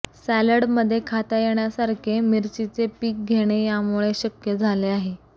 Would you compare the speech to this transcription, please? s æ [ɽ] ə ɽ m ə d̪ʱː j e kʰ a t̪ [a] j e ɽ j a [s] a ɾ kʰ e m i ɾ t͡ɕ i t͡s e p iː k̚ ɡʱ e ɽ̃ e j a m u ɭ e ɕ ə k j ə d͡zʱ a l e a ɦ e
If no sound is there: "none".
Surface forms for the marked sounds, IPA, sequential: l, a, s

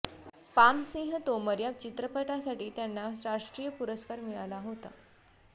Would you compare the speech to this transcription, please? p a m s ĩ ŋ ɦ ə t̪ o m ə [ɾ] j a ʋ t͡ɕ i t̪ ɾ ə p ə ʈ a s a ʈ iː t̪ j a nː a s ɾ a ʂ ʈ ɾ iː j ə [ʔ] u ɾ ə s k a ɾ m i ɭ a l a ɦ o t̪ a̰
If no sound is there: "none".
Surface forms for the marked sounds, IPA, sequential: ɾ, p

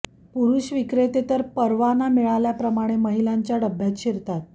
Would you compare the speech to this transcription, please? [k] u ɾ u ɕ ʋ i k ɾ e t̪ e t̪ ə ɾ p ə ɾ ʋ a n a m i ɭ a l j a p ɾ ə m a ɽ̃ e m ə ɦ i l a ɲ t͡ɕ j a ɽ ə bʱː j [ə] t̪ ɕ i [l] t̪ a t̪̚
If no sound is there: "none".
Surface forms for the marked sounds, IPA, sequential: p, a, ɾ

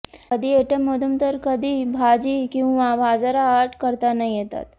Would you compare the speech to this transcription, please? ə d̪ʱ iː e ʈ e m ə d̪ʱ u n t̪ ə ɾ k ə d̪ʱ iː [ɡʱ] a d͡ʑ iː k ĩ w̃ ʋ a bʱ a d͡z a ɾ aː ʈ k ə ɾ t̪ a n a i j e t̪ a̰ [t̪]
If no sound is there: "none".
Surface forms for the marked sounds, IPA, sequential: bʱ, t̪

